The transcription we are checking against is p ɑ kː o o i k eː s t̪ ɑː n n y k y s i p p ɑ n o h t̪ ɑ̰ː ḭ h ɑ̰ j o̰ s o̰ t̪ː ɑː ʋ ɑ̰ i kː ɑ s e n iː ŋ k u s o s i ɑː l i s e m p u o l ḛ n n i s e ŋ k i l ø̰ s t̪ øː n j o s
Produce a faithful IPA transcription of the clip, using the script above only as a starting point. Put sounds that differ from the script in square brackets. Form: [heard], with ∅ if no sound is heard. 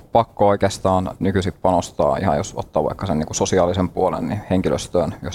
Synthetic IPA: p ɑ kː o o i k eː s t̪ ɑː n n y k y s i p p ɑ n o [s] t̪ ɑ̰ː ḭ h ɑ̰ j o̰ s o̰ t̪ː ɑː ʋ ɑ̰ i kː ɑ s e n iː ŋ k u s o s i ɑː l i s e m p u o l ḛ n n i [h] e ŋ k i l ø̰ s t̪ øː n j o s